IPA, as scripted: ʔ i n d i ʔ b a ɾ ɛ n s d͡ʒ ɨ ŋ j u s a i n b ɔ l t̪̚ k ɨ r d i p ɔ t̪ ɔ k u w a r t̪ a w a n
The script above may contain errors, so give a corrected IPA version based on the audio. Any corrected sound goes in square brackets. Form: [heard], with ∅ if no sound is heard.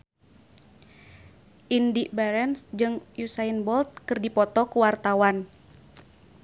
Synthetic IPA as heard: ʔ i n d i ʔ b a ɾ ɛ n s d͡ʒ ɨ ŋ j u s a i n b ɔ l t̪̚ k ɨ r d i p ɔ t̪ ɔ k u w a r t̪ a w a n